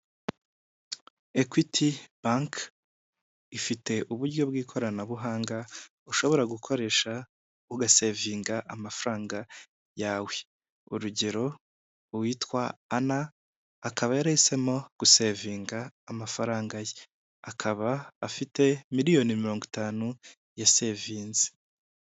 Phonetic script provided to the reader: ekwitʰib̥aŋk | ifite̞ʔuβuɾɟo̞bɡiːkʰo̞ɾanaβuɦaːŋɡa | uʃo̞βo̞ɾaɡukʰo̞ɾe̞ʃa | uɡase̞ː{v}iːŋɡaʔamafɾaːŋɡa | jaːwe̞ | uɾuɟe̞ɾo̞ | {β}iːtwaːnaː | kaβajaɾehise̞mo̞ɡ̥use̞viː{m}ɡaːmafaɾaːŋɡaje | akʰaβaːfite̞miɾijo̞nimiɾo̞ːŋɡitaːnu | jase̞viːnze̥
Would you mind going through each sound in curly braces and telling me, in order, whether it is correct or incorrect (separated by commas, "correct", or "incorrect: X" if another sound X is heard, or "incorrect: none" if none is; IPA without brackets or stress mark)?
correct, incorrect: w, incorrect: ŋ